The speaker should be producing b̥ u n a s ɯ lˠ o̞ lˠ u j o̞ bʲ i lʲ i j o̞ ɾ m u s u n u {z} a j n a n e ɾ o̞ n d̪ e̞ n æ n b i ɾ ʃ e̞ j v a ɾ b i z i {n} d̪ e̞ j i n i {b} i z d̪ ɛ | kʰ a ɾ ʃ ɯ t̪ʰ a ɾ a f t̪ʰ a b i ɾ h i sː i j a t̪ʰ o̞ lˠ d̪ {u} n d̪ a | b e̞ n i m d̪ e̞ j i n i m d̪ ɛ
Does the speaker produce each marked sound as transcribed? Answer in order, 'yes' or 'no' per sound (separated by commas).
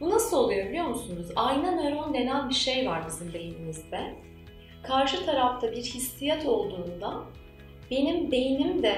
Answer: yes, no, no, no